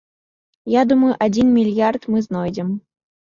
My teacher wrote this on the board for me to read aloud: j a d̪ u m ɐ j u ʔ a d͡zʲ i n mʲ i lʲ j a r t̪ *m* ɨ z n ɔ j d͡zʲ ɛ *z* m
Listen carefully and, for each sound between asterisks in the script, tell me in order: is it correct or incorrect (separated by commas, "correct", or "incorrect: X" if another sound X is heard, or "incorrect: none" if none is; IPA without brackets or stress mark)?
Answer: correct, incorrect: none